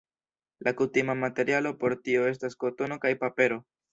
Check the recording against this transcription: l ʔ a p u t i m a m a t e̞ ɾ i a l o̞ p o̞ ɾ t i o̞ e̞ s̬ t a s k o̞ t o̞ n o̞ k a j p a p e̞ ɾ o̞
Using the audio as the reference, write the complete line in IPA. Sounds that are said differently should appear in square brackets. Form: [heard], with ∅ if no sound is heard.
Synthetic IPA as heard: l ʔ a [k] u t i m a m a t e̞ ɾ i a l o̞ p o̞ ɾ t i o̞ e̞ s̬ t a s k o̞ t o̞ n o̞ k a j p a p e̞ ɾ o̞